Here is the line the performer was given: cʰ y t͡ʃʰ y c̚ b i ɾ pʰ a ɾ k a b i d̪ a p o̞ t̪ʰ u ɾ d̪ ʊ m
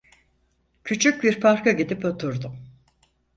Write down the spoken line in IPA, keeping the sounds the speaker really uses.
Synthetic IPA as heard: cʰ y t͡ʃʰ y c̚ b i ɾ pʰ a ɾ k a ɟ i d̪ i p o̞ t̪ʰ u ɾ d̪ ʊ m